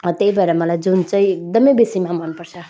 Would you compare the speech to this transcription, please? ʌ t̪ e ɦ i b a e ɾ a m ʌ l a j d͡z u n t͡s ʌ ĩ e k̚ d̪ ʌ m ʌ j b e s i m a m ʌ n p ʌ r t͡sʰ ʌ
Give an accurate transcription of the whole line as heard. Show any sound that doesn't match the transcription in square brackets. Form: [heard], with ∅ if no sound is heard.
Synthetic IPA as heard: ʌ t̪ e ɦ i b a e ɾ a m ʌ l a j d͡z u n t͡s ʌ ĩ e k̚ d̪ ʌ m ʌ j b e s i m a m ʌ n p ʌ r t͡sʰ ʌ

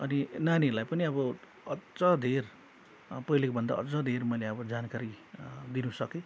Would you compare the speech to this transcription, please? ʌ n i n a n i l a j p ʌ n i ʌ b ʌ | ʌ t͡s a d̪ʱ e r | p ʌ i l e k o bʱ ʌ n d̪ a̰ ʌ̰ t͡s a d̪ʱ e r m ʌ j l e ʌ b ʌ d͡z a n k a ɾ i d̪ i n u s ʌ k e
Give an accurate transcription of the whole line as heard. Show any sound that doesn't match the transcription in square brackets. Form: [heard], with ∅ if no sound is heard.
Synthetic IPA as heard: ʌ n i n a n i l a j p ʌ n i ʌ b ʌ | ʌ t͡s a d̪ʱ e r | p ʌ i l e k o bʱ ʌ n d̪ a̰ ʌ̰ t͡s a d̪ʱ e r m ʌ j l e ʌ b ʌ d͡z a n k a ɾ i d̪ i n u s ʌ k e

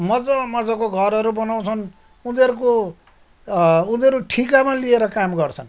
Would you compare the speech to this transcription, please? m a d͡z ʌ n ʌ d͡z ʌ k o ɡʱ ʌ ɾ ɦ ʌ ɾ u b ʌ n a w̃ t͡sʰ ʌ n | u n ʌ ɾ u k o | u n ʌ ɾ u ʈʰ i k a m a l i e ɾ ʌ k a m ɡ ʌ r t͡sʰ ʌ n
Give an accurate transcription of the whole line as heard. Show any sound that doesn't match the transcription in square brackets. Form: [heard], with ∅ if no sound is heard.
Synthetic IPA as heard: m [ʌ] d͡z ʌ [m] ʌ d͡z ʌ k o ɡʱ ʌ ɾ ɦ ʌ ɾ u b ʌ n a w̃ t͡sʰ ʌ n | u n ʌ ɾ u k o | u n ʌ ɾ u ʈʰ i k a m a l i e ɾ ʌ k a m ɡ ʌ r t͡sʰ ʌ n

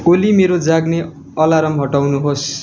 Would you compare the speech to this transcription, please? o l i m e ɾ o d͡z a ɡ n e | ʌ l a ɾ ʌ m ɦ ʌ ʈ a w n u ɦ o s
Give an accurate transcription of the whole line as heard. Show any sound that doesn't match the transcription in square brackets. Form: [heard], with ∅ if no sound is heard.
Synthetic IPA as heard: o l i m e ɾ o d͡z a ɡ n e | ʌ l a ɾ ʌ m ɦ ʌ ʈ a w n u ɦ o s

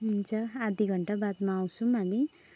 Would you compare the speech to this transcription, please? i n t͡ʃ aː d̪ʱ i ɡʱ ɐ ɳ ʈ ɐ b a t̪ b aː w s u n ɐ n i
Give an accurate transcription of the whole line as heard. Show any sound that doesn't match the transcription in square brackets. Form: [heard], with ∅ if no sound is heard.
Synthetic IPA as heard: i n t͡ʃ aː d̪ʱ i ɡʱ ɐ ɳ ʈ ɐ b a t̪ [m] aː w s u [m] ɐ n i

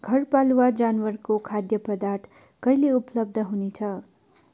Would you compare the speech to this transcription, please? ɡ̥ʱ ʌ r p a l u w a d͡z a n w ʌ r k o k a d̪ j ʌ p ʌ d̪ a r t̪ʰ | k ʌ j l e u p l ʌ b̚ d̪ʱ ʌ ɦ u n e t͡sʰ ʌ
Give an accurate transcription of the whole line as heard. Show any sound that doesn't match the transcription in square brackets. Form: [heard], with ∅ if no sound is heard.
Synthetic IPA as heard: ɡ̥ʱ ʌ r p a l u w a d͡z a n w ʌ r k o [kʰ] a d̪ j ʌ p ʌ d̪ a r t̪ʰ | k ʌ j l e u p l ʌ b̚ d̪ʱ ʌ ɦ u n e t͡sʰ ʌ

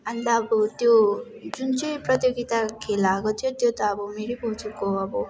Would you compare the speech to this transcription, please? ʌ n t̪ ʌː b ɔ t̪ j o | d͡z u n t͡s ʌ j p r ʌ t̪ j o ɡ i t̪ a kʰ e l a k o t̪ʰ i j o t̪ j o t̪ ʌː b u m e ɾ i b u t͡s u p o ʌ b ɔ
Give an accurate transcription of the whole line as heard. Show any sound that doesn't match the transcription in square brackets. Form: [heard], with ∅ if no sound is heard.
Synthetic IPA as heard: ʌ n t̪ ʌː b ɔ t̪ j o | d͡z u n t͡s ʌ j p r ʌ t̪ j o ɡ i t̪ a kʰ e l a k o t̪ʰ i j o t̪ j o t̪ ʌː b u m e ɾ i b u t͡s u [k] o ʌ b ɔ

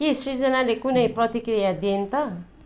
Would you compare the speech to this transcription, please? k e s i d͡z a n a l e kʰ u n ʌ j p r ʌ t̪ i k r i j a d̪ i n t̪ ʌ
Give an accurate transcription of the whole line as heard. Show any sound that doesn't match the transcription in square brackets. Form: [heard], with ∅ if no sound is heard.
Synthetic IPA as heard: k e s i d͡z [ʌ] n a l e [k] u n ʌ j p r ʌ t̪ i k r i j a d̪ i n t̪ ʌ

